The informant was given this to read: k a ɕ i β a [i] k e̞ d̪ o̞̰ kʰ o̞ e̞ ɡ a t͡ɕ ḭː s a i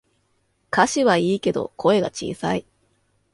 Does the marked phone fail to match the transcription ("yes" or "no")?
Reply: yes